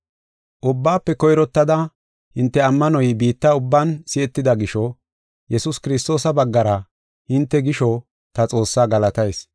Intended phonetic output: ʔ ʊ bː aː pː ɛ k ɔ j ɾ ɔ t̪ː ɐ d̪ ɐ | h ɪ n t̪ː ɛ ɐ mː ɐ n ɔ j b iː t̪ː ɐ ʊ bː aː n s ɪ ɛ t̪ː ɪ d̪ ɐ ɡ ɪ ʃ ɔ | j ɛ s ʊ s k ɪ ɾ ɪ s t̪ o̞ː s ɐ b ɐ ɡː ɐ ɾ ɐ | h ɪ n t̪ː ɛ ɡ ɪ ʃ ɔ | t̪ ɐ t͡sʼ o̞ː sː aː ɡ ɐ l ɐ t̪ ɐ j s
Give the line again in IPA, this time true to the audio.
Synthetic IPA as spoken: ʔ ʊ bː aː pː ɛ k ɔ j ɾ ɔ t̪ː ɐ d̪ ɐ | h ɪ n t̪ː ɛ ɐ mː ɐ n ɔ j b iː t̪ː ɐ ʊ bː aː n s ɪ ɛ t̪ː ɪ d̪ ɐ ɡ ɪ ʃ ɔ | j ɛ s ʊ s k ɪ ɾ ɪ s t̪ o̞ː s ɐ b ɐ ɡː ɐ ɾ ɐ | h ɪ n t̪ː ɛ ɡ ɪ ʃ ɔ | t̪ ɐ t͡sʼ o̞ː sː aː ɡ ɐ l ɐ t̪ ɐ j s